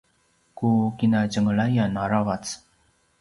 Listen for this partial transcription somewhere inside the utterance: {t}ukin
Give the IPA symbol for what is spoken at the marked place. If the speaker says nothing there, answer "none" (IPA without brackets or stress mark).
k